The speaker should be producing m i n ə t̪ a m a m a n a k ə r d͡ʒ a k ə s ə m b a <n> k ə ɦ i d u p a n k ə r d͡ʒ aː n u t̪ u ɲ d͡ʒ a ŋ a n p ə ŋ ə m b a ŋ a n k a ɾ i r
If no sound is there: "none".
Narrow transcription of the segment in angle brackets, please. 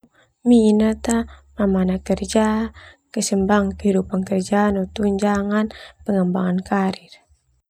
ŋ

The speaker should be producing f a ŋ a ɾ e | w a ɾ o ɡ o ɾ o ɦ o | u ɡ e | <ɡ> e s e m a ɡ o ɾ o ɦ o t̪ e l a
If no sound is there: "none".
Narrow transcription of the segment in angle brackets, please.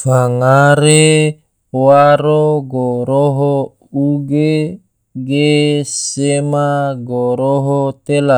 ɡ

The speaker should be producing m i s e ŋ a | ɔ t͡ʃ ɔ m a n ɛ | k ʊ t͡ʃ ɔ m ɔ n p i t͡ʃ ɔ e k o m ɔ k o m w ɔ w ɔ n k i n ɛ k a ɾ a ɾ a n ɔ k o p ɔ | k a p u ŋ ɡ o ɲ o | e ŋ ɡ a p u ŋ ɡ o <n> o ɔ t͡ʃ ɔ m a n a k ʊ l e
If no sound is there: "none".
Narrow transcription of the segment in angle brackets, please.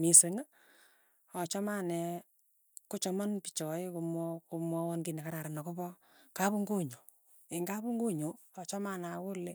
ɲ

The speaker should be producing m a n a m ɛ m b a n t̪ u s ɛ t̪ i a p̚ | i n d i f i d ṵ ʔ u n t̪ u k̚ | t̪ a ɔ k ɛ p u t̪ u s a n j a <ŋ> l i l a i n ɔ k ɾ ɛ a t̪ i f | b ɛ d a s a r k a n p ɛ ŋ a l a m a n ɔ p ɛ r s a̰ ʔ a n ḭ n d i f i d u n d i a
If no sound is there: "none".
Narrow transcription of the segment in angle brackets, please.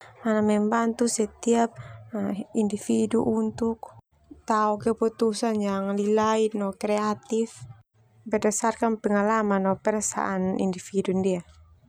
ŋ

